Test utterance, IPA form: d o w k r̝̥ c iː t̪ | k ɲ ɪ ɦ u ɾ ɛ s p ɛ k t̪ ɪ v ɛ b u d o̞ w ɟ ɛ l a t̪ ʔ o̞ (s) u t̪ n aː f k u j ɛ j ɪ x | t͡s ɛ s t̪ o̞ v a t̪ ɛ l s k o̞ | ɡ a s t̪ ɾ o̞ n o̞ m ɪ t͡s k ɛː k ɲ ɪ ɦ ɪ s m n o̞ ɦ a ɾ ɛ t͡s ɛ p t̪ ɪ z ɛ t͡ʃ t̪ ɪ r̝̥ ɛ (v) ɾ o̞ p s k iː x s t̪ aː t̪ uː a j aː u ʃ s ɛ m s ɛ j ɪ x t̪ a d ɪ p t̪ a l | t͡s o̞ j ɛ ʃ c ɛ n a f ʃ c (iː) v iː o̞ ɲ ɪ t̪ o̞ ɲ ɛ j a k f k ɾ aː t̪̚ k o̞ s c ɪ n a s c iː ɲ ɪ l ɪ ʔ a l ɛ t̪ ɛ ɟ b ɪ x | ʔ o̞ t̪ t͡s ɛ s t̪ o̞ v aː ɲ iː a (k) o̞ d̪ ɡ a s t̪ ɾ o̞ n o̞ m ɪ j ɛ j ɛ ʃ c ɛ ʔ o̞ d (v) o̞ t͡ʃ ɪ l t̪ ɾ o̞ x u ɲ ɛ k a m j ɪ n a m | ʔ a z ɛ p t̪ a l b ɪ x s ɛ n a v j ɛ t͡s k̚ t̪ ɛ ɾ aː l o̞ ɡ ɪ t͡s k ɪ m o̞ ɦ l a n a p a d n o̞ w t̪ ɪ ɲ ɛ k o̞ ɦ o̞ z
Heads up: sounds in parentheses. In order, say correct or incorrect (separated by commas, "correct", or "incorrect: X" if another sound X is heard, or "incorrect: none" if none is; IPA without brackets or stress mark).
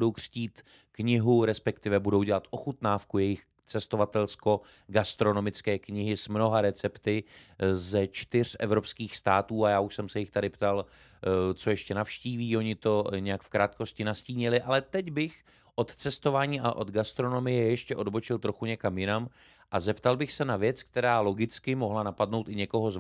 incorrect: x, correct, correct, incorrect: ʔ, incorrect: b